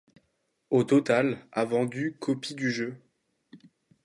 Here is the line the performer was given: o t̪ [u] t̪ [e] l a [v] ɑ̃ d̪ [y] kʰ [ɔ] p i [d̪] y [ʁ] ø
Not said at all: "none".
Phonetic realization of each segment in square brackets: ɔ, a, v, y, ɔ, d̪, ʒ

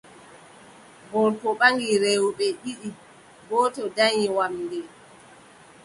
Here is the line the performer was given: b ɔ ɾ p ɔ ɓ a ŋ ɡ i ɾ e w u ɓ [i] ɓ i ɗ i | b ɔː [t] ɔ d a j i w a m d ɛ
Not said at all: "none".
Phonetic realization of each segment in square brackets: ɛ, t

